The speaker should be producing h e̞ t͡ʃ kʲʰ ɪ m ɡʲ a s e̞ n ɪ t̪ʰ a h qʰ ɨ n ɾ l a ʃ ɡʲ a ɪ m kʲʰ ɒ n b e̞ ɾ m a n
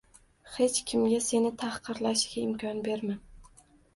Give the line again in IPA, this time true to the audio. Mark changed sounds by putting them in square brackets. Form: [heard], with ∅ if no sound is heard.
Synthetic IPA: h e̞ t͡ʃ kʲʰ ɪ m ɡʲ a s e̞ n ɪ t̪ʰ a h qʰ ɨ [∅] ɾ l a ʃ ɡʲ a ɪ m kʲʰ ɒ n b e̞ ɾ m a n